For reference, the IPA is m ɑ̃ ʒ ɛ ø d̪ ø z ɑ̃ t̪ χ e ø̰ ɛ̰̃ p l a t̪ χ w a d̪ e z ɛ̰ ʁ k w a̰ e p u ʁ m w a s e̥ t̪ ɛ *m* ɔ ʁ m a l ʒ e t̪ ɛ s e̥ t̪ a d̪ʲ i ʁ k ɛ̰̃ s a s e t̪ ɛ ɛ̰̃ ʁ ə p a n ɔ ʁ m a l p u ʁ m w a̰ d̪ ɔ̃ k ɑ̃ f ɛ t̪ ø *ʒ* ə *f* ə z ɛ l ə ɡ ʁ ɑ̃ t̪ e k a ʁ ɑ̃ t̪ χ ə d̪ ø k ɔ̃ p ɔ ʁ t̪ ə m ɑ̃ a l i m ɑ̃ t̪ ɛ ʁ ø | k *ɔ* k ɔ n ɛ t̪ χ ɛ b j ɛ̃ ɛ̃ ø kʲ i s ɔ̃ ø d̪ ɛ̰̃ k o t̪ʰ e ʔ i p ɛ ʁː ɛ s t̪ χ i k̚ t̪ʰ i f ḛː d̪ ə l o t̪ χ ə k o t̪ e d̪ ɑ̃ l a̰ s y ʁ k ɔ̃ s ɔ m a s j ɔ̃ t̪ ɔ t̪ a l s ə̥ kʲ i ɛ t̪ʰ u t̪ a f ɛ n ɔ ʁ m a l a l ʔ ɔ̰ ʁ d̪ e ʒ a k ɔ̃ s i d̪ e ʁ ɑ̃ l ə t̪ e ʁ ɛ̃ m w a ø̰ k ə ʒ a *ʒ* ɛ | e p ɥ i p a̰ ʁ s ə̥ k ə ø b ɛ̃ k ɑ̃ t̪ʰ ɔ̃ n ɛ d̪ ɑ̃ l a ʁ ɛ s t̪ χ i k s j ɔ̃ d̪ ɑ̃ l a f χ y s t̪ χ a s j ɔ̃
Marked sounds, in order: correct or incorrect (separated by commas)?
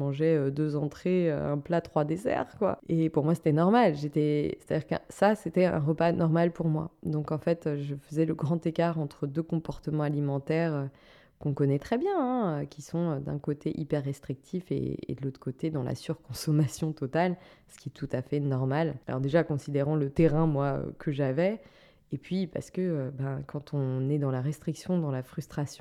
incorrect, correct, correct, incorrect, incorrect